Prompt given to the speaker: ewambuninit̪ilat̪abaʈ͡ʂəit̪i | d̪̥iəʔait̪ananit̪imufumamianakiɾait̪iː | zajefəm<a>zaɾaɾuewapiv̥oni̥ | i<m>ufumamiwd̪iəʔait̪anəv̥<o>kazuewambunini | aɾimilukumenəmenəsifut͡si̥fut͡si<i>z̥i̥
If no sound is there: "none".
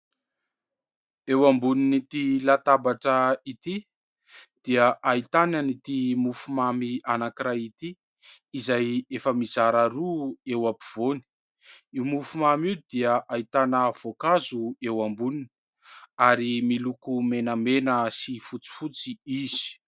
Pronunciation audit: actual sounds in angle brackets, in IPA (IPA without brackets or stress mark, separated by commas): i, m, o, i